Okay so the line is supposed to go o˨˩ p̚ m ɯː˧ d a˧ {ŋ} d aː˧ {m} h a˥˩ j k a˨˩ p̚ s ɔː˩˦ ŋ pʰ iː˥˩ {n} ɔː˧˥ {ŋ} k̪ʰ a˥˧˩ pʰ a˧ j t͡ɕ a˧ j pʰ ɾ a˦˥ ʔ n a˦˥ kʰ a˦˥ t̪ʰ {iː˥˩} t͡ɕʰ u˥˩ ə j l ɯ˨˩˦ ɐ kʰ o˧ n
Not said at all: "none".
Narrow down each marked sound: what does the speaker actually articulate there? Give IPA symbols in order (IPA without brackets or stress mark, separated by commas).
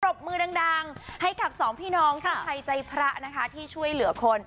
ŋ, ŋ, n, ŋ, iː˥˩